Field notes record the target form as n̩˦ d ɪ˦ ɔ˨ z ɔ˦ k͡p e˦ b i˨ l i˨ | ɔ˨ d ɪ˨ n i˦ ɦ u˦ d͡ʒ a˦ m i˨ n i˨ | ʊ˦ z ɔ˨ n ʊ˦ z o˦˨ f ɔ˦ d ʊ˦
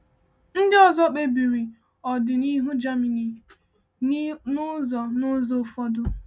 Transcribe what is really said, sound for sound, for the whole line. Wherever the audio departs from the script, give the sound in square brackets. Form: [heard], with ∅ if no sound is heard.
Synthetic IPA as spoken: n̩˦ d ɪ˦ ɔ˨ z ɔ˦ k͡p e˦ b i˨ [ɾ] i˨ | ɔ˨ d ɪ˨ n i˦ ɦ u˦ d͡ʒ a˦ m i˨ n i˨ | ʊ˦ z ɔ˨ n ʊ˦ z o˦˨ f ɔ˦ d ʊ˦